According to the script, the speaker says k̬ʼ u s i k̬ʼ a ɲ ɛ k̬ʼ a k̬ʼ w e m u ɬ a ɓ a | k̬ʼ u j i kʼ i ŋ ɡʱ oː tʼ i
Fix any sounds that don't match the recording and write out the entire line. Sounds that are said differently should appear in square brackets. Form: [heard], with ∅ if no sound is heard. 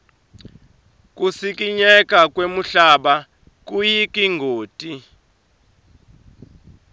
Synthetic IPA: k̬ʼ u s i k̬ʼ [i] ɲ ɛ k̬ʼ a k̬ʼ w e m u ɬ a ɓ a | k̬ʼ u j i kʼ i ŋ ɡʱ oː tʼ i

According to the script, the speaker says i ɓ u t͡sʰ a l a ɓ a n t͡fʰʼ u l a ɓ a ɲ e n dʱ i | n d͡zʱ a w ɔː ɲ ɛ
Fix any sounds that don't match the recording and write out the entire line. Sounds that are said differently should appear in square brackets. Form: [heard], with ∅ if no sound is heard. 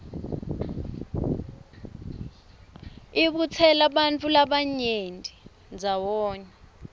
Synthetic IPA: i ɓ u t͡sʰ [ɛ] l a ɓ a n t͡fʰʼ u l a ɓ a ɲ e n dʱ i | n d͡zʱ a w ɔː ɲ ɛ

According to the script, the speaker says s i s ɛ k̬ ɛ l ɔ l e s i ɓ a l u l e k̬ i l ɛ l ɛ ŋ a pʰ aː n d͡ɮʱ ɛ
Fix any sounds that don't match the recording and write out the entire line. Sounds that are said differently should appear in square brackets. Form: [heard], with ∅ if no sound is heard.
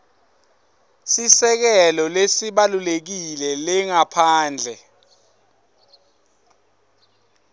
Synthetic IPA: s i s ɛ k̬ ɛ l ɔ l e s i ɓ a l u l e k̬ i l ɛ l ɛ ŋ a pʰ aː n d͡ɮʱ ɛ

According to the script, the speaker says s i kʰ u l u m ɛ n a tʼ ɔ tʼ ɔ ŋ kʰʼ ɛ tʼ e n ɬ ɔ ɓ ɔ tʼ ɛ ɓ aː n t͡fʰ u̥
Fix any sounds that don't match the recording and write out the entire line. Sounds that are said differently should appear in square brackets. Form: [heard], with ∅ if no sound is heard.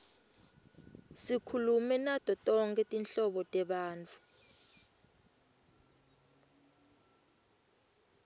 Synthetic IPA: s i kʰ u l u m ɛ n a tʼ ɔ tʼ ɔ ŋ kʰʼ ɛ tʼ [i] n ɬ ɔ ɓ ɔ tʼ ɛ ɓ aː n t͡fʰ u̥

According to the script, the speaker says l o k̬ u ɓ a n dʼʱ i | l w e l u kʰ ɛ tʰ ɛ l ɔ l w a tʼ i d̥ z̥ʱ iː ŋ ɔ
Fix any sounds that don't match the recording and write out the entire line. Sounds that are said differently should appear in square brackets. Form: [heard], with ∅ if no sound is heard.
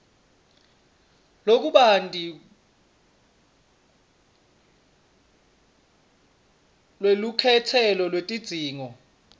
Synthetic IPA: l o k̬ u ɓ a n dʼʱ i | l w e l u kʰ ɛ tʰ ɛ l ɔ l w [e] tʼ i d̥ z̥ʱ iː ŋ ɔ

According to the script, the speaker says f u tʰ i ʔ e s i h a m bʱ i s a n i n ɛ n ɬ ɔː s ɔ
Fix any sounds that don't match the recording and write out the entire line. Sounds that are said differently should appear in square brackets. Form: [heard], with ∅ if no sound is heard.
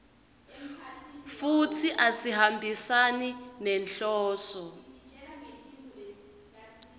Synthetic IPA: f u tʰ i ʔ [a] s i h a m bʱ i s a n i n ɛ n ɬ ɔː s ɔ

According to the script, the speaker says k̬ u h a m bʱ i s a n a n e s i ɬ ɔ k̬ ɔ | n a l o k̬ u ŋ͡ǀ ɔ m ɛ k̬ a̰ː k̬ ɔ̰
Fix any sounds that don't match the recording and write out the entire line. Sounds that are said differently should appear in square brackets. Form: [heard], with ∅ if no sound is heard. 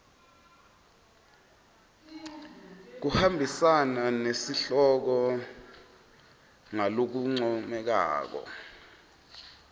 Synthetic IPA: k̬ u h a m bʱ i s a n a n e s i ɬ ɔ k̬ ɔ | [ŋ] a l o k̬ u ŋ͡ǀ ɔ m ɛ k̬ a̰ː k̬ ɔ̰

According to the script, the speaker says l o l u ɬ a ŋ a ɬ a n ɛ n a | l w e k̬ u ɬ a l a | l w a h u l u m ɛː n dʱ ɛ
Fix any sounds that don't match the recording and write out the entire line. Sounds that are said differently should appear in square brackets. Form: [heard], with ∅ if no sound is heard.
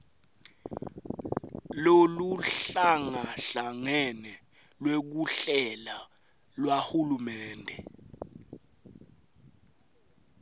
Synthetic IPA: l o l u ɬ a ŋ a ɬ a [ŋ] ɛ n [ɛ] | l w e k̬ u ɬ [ɛ] l a | l w a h u l u m ɛː n dʱ ɛ

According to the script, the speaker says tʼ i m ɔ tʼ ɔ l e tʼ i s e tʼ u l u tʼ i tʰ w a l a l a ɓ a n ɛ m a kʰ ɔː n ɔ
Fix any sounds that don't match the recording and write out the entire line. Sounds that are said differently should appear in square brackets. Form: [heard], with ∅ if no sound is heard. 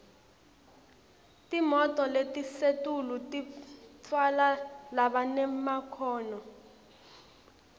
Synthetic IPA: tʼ i m ɔ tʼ ɔ l e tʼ i s e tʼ u l u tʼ i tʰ w a l a l a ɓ a n ɛ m a kʰ ɔː n ɔ

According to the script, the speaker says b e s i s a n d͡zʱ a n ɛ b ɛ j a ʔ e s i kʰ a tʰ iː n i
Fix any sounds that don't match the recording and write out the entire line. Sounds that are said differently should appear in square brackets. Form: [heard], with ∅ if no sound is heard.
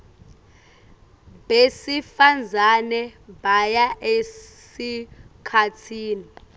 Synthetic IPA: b e s i [f] a n d͡zʱ a n ɛ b [a] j a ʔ e s i kʰ a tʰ iː n i

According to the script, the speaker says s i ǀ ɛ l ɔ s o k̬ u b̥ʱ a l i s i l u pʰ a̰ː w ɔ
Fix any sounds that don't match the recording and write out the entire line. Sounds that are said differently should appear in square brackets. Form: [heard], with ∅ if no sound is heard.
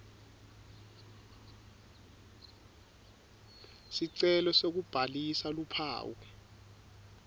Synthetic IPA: s i ǀ ɛ l ɔ s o k̬ u b̥ʱ a l i s [a] l u pʰ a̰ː w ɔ

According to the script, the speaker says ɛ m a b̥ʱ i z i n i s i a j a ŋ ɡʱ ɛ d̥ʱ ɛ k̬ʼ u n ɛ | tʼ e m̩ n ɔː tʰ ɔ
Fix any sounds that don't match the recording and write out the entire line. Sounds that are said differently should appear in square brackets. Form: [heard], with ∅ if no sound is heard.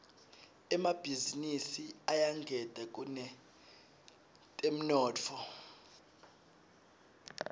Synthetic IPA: ɛ m a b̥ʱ i z i n i s i a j a ŋ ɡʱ ɛ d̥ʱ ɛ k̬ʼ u n ɛ | tʼ e m̩ n ɔː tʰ ɔ

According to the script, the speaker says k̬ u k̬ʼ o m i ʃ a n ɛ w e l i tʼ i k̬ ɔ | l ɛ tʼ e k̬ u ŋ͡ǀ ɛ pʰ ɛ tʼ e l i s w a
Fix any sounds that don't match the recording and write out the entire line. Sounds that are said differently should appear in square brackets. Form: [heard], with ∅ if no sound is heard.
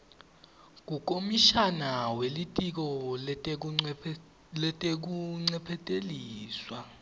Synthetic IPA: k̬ u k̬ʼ o m i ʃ a n [a] w e l i tʼ i k̬ ɔ | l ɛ tʼ e k̬ u ŋ͡ǀ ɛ pʰ ɛ tʼ e l [iː] s w a

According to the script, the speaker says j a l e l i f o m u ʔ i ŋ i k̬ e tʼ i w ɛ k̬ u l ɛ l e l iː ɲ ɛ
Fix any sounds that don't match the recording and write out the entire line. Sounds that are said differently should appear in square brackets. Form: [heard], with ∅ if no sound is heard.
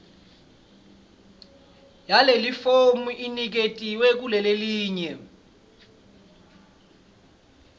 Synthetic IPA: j a l e l i f o m u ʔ i [n] i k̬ e tʼ i w ɛ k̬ u l ɛ l e l iː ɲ ɛ

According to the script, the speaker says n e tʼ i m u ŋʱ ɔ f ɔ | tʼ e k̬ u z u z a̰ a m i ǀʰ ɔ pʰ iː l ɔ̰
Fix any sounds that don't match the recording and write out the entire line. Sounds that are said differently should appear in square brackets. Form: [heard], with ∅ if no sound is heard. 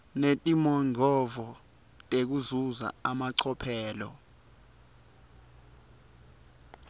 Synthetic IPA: n e tʼ i m [ɔ] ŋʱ ɔ [v] ɔ | tʼ e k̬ u z u z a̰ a m [a] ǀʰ ɔ pʰ [ɛː] l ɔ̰

